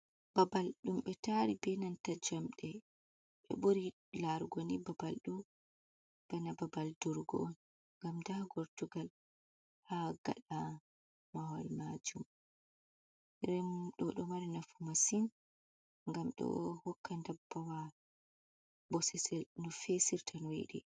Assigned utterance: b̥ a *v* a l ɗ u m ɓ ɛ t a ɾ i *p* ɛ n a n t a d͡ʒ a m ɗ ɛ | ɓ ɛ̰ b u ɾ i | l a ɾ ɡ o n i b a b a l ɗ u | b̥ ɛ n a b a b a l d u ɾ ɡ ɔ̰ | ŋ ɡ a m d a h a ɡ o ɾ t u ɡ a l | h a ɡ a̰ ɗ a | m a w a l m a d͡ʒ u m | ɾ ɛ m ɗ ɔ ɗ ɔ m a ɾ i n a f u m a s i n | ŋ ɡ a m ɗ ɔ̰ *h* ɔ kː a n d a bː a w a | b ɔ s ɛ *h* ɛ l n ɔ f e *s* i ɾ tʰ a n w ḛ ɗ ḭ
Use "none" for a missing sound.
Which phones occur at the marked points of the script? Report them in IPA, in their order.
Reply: b, b, h, s, s

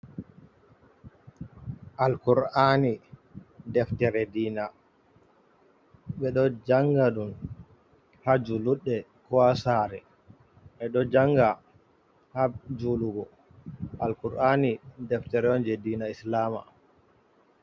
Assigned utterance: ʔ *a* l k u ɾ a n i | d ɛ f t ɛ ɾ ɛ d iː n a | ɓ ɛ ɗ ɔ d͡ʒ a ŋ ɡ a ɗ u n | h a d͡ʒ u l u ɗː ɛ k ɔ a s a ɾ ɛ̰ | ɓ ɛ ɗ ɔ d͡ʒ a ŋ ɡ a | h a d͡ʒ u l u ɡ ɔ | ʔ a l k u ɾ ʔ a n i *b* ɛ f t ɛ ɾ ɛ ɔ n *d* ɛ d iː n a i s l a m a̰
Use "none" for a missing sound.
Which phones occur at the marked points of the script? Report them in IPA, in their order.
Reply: a, d, d͡ʒ

